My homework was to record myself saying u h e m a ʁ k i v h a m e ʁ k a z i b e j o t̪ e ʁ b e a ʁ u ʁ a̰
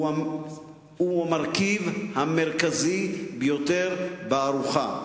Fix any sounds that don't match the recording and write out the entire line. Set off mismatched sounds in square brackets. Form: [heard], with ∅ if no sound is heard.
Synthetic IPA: u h [a] m a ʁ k i v h a m e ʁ k a z i b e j o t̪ e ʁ b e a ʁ u [χ] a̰